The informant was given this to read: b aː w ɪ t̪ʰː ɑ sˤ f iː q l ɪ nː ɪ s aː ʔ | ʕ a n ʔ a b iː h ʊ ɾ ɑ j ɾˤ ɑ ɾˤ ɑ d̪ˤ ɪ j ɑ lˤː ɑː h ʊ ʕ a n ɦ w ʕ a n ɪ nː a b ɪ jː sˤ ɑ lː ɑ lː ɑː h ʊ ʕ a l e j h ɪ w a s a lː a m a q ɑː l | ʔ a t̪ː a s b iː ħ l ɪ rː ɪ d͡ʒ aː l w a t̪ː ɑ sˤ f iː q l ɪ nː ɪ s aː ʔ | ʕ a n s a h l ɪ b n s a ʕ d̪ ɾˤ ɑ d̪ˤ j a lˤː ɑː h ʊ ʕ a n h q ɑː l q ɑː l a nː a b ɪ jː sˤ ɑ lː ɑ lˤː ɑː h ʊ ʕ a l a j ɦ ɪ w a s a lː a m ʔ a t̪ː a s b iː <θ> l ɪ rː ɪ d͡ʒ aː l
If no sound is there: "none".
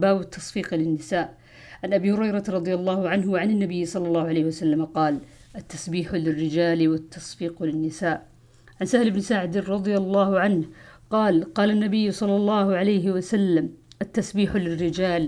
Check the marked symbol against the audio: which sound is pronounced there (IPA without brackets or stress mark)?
ħ